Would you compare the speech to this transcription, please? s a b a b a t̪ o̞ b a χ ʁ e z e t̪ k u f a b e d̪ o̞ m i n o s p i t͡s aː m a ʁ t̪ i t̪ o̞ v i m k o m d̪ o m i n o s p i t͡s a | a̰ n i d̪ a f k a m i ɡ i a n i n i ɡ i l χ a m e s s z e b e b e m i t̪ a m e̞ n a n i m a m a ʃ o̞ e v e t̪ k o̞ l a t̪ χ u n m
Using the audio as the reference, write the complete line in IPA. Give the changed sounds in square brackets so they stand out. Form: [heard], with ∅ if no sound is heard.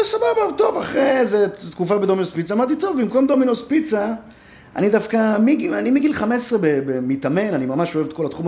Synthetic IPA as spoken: s a b a b a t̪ o̞ [v] a χ ʁ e z e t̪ k u f a b e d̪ o̞ m i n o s p i t͡s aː m a ʁ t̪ i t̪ o̞ v i m k o m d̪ o m i n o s p i t͡s a | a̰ n i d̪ a f k a m i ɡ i a n i [m] i ɡ i l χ a m e s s [ʁ] e b e b e m i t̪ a m e̞ n a n i m a m a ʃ o̞ e v e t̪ k o̞ l a t̪ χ u [∅] m